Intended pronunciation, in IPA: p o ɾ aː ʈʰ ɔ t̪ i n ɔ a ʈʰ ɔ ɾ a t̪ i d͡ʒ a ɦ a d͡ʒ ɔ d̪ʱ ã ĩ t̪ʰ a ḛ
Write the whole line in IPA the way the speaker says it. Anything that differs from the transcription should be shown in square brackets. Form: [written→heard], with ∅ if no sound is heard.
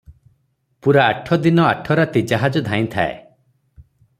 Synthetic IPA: p [o→u] ɾ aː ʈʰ ɔ [t̪→d̪] i n ɔ a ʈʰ ɔ ɾ a t̪ i d͡ʒ a ɦ a d͡ʒ ɔ d̪ʱ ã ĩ t̪ʰ a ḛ